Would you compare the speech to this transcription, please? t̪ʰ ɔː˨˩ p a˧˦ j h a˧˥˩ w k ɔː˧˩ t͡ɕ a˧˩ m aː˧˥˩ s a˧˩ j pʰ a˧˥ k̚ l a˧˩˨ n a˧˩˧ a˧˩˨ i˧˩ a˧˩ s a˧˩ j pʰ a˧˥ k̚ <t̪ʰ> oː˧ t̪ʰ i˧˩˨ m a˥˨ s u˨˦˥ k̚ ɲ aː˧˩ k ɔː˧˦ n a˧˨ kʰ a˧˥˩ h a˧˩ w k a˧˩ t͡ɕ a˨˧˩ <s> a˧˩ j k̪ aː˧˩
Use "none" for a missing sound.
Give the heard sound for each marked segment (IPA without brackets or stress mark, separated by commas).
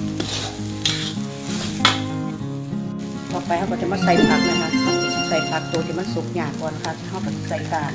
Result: t̪, s